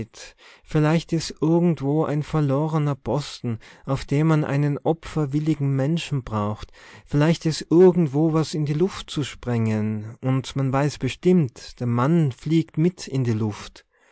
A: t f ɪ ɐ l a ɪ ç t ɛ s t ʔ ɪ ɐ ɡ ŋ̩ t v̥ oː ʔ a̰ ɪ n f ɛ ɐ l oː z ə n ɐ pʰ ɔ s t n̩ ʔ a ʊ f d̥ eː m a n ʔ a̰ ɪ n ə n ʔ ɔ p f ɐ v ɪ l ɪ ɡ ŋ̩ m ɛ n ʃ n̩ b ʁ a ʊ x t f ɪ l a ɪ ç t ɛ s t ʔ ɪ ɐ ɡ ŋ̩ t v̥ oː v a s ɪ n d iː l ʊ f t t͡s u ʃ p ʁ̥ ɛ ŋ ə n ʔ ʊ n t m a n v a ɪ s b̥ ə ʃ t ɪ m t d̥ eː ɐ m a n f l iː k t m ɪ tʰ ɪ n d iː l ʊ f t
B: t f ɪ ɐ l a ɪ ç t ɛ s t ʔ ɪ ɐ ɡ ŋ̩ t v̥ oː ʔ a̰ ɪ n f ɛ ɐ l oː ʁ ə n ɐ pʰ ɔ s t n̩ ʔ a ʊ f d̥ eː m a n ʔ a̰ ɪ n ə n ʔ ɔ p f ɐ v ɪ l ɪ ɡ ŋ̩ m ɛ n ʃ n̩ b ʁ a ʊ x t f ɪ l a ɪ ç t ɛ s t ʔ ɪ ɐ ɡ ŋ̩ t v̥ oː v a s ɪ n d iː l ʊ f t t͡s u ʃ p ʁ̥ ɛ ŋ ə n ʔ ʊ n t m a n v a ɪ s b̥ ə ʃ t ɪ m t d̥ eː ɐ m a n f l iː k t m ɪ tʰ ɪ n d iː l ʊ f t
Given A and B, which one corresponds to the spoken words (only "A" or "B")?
B